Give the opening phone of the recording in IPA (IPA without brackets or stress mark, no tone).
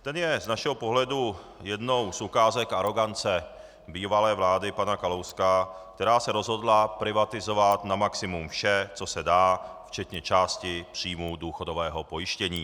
t̪